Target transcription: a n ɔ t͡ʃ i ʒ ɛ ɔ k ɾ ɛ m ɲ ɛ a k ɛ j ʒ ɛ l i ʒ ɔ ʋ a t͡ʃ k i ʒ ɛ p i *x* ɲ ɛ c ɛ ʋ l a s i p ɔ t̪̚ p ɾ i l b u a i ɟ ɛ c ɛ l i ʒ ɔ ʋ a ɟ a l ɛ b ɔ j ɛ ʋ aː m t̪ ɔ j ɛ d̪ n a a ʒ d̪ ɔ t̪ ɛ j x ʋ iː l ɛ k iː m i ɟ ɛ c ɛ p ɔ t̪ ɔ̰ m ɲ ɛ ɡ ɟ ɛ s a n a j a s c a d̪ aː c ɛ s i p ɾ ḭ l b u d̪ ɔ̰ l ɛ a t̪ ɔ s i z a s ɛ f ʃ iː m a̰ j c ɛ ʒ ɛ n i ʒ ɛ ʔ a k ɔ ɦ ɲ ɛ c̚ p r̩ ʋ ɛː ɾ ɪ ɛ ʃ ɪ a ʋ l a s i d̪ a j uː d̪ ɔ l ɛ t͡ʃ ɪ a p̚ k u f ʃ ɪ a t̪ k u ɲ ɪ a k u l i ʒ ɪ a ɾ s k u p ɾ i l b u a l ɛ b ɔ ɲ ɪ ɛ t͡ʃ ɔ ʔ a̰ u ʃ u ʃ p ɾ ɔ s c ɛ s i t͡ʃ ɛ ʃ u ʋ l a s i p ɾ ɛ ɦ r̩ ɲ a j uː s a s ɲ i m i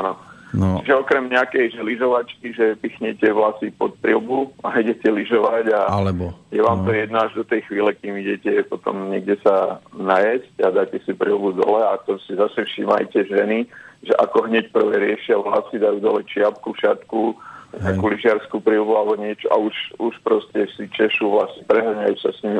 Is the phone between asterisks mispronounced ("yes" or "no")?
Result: no